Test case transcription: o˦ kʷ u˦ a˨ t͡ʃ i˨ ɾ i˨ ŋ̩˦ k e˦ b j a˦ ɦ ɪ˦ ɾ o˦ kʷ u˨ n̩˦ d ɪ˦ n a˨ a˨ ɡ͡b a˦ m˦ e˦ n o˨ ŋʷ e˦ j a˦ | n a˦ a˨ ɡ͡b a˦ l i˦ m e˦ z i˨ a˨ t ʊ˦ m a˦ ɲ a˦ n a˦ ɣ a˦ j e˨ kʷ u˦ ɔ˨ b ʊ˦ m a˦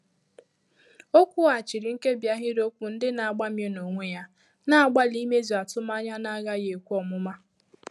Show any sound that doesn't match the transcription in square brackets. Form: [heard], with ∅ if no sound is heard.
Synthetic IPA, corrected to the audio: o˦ kʷ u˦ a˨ t͡ʃ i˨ ɾ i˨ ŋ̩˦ k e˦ b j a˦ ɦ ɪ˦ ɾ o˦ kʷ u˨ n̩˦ d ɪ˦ n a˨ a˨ ɡ͡b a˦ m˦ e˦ n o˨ ŋʷ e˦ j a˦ | n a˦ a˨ ɡ͡b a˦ l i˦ m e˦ z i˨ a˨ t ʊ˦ m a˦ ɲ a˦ n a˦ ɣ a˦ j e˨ kʷ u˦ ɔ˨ [m] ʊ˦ m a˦

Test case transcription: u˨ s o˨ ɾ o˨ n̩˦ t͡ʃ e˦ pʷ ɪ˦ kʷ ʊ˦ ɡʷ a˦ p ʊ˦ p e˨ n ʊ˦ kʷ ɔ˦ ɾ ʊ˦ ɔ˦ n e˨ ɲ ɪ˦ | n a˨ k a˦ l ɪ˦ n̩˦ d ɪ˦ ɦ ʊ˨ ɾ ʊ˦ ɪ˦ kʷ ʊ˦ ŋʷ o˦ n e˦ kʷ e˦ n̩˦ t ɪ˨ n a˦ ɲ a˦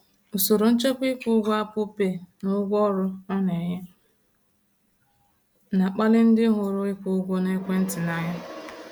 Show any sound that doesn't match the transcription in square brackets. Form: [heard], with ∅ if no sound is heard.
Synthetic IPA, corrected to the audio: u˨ s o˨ ɾ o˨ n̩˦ t͡ʃ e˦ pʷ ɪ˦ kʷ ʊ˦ ɡʷ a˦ p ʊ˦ p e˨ n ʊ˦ [ɡʷ] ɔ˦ ɾ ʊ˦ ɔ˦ n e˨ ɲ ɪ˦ | n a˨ [k͡p] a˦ l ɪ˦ n̩˦ d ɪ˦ ɦ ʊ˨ ɾ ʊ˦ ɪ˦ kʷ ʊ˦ [ɡʷ] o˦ n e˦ kʷ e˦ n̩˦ t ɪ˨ n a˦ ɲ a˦

